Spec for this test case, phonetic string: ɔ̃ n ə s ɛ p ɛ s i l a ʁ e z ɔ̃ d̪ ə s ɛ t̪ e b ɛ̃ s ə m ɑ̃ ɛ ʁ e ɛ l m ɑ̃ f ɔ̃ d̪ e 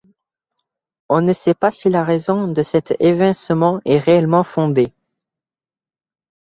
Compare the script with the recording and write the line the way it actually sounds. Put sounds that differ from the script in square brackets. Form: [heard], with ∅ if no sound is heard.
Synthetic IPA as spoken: ɔ̃ n ə s ɛ p [a] s i l a ʁ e z ɔ̃ d̪ ə s ɛ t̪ e [v] ɛ̃ s ə m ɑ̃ ɛ ʁ e ɛ l m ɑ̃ f ɔ̃ d̪ e